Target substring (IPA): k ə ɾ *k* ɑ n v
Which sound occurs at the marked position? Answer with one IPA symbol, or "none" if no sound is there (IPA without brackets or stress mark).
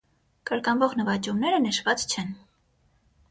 k